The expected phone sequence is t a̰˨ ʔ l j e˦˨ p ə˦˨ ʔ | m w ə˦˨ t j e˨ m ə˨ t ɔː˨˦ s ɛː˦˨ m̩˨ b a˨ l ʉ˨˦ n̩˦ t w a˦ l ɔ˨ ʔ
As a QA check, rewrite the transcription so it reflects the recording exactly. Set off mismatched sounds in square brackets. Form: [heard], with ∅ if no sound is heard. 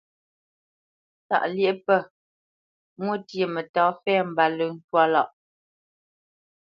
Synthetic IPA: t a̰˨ ʔ l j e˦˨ p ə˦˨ [∅] | m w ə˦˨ t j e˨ m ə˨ t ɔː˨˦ [f] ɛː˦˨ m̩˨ b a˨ l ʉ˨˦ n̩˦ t w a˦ l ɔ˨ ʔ